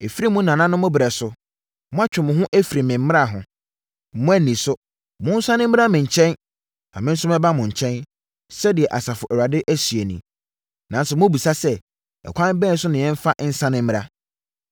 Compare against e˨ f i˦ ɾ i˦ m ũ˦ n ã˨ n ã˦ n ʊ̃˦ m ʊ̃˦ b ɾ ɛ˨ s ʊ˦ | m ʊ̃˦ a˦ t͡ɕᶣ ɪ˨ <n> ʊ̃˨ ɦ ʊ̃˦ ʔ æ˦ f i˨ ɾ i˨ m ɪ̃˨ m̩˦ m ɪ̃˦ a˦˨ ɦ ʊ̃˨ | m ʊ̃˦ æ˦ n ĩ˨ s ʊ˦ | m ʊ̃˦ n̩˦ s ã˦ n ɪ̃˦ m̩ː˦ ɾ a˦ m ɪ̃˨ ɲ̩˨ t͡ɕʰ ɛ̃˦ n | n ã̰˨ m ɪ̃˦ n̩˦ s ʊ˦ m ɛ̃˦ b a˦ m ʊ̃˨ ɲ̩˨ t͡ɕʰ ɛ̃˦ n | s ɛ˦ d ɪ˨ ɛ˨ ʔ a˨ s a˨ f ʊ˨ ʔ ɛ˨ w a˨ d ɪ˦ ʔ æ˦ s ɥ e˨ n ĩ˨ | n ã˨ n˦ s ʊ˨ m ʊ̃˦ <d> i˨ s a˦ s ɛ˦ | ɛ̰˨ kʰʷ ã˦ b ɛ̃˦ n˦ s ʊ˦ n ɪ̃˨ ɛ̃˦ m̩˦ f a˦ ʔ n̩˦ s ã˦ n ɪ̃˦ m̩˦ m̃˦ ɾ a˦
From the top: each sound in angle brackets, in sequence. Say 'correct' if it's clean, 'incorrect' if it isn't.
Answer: incorrect: m, incorrect: b

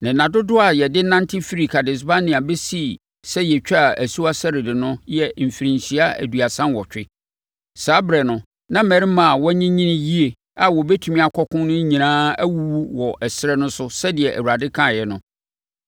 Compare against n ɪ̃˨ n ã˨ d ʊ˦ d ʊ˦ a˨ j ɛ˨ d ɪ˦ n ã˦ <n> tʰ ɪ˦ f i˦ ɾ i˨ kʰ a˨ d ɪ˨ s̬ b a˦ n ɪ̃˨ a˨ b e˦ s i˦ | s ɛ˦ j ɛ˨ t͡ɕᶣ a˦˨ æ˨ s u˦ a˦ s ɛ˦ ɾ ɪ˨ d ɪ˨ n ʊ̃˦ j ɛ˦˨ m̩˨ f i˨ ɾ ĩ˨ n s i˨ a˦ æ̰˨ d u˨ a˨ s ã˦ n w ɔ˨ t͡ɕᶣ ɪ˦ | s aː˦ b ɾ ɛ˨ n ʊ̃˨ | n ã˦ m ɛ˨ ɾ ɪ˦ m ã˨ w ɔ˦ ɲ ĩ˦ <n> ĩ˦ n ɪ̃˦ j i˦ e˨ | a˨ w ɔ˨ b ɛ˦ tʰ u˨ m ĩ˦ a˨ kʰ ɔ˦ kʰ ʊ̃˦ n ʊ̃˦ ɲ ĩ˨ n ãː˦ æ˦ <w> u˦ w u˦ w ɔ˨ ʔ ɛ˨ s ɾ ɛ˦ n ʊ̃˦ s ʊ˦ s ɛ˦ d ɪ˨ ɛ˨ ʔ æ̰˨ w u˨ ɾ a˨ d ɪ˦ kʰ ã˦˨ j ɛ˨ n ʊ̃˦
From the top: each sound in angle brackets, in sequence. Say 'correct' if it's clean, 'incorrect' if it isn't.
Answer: correct, incorrect: ɲ, correct

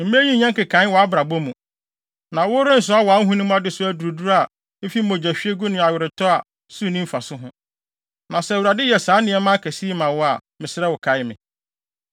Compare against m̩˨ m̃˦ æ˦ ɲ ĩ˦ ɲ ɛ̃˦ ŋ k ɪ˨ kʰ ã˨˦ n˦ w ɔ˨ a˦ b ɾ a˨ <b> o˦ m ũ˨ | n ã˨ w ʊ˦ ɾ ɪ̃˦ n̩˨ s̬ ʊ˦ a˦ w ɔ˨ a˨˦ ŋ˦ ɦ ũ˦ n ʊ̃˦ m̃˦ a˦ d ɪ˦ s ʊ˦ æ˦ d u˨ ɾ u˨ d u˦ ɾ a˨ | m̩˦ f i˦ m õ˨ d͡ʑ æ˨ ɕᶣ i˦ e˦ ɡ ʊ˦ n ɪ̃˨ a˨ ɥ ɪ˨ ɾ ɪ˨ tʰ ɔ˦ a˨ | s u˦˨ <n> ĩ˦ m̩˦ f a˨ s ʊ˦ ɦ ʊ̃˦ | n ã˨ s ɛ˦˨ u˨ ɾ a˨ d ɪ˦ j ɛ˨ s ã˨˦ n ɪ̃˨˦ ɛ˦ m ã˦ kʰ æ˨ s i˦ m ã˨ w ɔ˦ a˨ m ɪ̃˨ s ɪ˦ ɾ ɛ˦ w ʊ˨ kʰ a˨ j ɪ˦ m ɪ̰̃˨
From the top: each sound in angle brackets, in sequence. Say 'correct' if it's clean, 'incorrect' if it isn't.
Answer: correct, correct

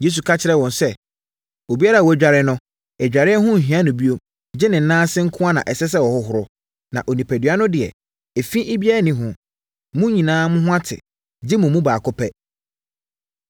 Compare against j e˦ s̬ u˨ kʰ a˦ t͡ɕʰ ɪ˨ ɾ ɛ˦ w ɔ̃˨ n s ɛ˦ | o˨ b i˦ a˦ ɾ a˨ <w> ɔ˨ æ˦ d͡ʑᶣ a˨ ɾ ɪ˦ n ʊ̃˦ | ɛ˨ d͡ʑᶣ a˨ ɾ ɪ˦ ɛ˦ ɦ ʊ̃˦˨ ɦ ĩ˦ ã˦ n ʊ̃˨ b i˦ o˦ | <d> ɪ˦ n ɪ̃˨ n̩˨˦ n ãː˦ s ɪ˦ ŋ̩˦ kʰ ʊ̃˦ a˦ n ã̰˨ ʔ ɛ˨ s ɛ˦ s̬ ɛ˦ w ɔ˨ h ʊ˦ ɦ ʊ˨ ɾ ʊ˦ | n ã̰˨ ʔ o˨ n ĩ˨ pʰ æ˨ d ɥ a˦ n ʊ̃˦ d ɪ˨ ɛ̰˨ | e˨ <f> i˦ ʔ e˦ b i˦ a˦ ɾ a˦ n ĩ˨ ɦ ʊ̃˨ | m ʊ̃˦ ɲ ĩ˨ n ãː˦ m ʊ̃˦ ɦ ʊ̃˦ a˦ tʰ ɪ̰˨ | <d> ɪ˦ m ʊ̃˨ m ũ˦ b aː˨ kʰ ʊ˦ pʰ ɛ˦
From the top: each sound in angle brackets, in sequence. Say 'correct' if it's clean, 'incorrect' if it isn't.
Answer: correct, incorrect: d͡ʑ, correct, incorrect: d͡ʑ

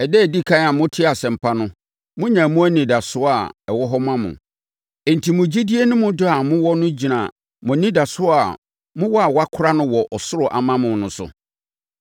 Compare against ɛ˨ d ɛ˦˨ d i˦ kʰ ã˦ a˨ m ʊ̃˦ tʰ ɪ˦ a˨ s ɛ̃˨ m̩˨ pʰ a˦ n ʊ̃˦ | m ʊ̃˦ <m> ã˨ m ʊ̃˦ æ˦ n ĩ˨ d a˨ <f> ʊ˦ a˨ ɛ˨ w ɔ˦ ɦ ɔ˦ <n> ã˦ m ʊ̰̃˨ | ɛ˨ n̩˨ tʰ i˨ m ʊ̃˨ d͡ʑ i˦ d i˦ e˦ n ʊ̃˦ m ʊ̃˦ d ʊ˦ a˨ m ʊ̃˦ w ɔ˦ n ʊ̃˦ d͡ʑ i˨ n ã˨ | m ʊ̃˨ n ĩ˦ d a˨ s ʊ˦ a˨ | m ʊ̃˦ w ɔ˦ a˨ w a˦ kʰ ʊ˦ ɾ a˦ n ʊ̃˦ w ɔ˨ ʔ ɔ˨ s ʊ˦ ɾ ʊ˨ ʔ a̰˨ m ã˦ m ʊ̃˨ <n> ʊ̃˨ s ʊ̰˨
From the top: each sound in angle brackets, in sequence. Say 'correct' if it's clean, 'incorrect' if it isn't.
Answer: incorrect: ɲ, incorrect: s, incorrect: m, correct

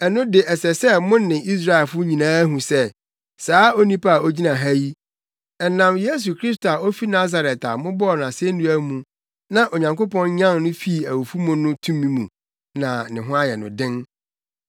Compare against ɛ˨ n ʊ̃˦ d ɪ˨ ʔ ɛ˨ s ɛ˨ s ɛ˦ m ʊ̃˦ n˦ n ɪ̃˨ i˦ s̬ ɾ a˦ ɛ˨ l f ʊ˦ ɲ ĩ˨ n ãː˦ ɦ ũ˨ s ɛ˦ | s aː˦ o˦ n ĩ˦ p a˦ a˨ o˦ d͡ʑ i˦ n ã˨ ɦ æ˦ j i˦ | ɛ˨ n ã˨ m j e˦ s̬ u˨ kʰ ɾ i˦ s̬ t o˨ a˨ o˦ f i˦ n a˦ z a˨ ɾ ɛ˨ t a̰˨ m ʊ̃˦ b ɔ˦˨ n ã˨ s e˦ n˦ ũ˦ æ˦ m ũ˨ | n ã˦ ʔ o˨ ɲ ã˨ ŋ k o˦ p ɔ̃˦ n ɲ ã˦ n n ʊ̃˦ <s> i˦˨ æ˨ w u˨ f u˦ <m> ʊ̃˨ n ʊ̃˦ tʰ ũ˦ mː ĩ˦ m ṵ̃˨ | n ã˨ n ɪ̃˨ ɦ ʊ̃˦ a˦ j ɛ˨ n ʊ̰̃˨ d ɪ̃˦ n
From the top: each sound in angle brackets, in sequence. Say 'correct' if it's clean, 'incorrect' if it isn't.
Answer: incorrect: f, correct

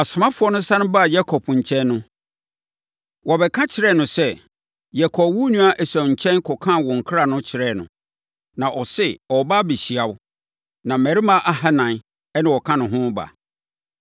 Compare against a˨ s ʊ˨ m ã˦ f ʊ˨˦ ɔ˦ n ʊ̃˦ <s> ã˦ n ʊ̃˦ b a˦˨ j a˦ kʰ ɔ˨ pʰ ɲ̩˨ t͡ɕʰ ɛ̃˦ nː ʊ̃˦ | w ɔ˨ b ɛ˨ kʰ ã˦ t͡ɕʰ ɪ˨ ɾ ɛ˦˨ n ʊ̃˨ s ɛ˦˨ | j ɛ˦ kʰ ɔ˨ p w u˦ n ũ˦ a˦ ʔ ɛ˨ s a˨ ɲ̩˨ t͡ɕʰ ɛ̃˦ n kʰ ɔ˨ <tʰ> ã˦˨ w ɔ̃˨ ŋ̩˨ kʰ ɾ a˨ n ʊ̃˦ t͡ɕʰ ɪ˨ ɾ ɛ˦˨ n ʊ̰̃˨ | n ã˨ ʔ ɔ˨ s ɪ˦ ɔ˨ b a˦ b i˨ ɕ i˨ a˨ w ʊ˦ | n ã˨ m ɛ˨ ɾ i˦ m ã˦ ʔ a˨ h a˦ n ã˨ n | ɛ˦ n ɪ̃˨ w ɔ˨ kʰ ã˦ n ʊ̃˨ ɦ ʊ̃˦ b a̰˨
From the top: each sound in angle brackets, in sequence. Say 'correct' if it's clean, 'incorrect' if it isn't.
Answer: correct, incorrect: kʰ

